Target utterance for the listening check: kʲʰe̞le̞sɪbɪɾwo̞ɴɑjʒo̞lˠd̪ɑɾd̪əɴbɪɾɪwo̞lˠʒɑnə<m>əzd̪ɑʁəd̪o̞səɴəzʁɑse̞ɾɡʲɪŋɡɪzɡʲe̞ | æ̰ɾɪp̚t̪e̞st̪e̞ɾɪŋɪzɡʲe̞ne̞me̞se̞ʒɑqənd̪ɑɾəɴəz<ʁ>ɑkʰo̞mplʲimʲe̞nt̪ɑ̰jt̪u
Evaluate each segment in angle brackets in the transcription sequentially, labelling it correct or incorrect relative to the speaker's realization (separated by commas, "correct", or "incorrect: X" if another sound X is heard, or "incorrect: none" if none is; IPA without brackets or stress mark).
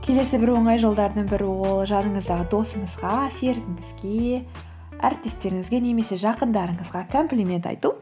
incorrect: ɴ, correct